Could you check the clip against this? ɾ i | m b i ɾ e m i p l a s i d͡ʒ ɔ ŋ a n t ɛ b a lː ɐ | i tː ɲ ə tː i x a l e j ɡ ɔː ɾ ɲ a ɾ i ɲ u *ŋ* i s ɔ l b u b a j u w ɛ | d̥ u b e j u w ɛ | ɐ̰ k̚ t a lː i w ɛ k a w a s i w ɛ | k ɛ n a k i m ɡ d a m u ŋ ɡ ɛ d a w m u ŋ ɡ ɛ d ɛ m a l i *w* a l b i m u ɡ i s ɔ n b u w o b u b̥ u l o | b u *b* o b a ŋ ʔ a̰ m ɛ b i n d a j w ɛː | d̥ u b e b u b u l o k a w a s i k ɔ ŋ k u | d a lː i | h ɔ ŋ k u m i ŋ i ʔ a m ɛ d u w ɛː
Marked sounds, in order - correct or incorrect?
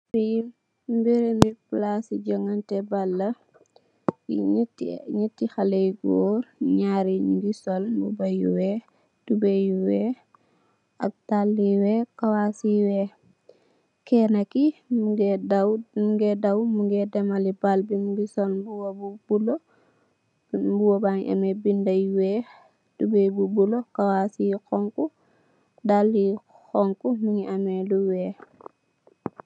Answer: incorrect, incorrect, incorrect

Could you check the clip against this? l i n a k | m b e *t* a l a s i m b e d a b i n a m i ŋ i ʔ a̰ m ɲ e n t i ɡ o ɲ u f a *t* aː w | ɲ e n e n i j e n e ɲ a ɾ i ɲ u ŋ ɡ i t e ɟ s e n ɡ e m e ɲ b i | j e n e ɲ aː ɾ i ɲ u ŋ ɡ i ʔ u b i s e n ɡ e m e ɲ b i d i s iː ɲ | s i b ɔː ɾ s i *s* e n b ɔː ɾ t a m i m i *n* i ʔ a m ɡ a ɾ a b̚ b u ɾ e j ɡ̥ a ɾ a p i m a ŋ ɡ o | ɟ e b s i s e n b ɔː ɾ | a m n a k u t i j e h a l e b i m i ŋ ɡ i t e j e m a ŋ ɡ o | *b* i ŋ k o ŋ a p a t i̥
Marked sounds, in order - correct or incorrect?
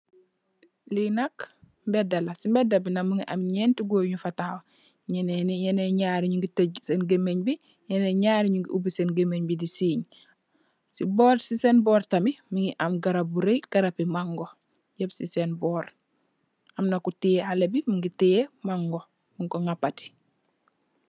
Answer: incorrect, correct, correct, incorrect, incorrect

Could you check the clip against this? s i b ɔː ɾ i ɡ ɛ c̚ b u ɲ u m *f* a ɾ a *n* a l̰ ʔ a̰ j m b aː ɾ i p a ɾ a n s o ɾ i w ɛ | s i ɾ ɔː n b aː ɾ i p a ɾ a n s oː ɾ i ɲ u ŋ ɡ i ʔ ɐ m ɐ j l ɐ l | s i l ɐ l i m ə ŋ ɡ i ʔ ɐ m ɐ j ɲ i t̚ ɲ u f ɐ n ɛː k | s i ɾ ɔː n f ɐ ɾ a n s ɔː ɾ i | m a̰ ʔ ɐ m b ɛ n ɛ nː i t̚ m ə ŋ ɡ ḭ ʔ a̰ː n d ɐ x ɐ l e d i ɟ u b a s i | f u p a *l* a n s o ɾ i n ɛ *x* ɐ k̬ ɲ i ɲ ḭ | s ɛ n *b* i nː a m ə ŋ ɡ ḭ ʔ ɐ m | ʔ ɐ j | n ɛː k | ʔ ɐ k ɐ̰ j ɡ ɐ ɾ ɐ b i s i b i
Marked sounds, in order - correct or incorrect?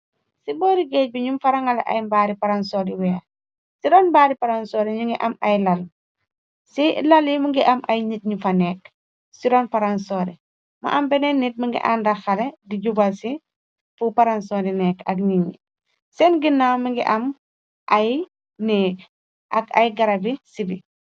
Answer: correct, incorrect, incorrect, incorrect, incorrect

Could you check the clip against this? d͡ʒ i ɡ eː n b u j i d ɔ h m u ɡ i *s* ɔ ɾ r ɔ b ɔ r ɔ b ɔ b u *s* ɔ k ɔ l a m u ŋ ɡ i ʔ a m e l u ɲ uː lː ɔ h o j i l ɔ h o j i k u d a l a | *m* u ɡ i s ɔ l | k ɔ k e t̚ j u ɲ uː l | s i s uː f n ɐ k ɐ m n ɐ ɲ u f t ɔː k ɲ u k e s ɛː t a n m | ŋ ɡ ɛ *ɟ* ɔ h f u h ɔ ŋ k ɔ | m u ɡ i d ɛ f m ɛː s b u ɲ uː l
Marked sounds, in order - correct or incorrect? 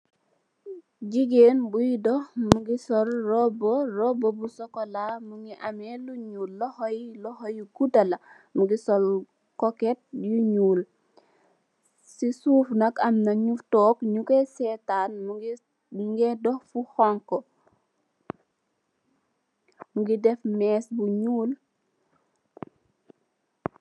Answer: correct, correct, correct, incorrect

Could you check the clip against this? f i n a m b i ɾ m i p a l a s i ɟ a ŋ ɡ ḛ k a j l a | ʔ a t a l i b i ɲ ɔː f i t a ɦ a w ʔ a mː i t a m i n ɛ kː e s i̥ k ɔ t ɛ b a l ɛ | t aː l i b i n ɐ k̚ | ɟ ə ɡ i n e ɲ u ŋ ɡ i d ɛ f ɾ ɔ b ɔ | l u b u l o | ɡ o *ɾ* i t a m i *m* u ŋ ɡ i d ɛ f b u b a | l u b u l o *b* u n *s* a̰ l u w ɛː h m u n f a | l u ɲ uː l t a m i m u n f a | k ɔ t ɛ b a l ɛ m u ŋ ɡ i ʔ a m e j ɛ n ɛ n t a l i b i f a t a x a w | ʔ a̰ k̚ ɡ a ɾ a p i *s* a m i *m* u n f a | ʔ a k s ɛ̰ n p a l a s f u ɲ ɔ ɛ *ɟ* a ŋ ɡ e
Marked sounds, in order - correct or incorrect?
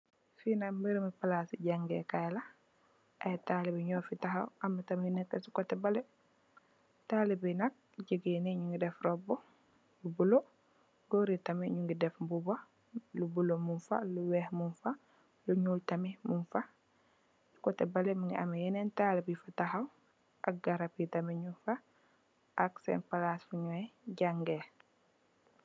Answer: correct, incorrect, incorrect, incorrect, incorrect, incorrect, correct

